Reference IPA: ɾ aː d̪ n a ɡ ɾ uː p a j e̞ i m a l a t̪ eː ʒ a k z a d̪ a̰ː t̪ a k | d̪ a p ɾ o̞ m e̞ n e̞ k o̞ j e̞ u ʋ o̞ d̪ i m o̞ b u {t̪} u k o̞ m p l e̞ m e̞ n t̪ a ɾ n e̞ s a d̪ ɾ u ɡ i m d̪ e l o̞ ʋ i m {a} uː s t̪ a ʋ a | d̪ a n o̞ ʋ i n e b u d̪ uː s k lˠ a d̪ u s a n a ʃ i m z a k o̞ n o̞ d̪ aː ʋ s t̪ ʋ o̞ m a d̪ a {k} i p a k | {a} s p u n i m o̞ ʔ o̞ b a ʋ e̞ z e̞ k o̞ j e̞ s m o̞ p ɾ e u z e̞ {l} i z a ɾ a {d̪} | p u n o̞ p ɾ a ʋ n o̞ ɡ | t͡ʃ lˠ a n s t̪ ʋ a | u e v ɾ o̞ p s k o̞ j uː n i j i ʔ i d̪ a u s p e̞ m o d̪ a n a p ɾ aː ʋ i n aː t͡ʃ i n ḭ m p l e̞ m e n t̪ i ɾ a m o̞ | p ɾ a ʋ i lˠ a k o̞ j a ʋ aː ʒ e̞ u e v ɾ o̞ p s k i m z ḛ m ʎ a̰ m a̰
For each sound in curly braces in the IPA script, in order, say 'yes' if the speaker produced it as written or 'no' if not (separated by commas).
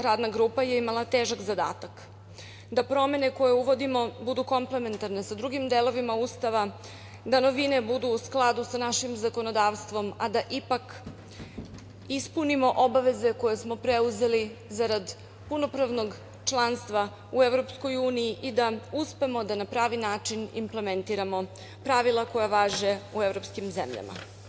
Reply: no, yes, no, no, yes, yes